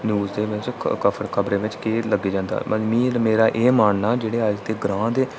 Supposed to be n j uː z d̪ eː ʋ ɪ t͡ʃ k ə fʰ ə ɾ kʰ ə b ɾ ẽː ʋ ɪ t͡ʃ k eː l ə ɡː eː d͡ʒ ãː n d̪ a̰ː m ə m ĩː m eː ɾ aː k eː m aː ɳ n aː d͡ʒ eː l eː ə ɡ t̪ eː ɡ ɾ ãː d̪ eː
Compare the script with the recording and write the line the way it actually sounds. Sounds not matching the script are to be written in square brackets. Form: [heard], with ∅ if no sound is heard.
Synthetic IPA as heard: n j uː z d̪ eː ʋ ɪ t͡ʃ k ə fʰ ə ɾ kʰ ə b ɾ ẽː ʋ ɪ t͡ʃ k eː l ə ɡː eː d͡ʒ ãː n d̪ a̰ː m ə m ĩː m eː ɾ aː [ʔ] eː m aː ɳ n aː d͡ʒ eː [ɽ] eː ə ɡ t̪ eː ɡ ɾ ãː d̪ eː

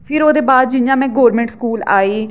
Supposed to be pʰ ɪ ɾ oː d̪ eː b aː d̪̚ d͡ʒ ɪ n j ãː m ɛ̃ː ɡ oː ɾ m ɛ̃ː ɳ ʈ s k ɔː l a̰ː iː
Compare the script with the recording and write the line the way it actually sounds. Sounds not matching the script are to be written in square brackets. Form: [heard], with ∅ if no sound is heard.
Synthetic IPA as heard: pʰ ɪ ɾ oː d̪ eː b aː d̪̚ d͡ʒ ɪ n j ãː m ɛ̃ː ɡ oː ɾ m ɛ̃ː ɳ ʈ s k [uː] l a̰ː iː

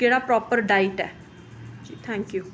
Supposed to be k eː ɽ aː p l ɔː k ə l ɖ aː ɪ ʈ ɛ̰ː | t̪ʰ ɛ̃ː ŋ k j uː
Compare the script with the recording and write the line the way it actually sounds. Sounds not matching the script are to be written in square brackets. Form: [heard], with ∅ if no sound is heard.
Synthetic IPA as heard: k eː ɽ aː p [ɾ] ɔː [p] ə [ɾ] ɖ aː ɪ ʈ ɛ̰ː | t̪ʰ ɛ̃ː ŋ k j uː

